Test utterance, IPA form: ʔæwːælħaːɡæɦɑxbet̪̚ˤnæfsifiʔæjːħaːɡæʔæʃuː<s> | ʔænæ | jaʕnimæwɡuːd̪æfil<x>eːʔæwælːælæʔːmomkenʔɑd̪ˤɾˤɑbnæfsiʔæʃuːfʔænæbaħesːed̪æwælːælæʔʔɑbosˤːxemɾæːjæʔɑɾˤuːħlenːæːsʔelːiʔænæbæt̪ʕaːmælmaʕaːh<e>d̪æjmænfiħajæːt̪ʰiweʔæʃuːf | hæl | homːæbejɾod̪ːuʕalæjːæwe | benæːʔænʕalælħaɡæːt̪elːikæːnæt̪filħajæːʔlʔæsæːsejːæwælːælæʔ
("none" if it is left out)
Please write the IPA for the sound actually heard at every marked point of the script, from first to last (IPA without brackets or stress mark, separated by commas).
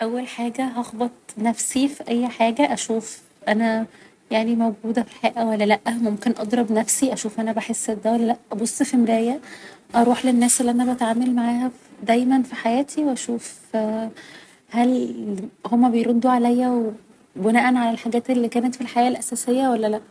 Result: f, ħ, æ